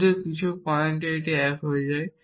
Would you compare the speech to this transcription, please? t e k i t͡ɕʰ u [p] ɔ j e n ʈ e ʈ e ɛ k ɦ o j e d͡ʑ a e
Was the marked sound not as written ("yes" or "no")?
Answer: no